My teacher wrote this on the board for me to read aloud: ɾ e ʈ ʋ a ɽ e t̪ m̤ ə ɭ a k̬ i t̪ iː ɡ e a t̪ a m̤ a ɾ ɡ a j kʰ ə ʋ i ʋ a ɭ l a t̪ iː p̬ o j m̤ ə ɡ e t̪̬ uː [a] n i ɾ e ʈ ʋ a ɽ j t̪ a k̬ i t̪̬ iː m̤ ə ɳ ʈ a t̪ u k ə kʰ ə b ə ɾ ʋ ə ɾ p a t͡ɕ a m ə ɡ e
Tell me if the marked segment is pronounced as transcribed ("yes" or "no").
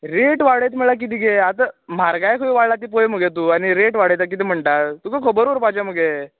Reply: yes